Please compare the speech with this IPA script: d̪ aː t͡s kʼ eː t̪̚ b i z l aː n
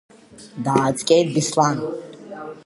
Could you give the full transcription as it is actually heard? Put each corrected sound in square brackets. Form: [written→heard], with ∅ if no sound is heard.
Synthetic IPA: d̪ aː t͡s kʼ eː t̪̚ b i [z→s] l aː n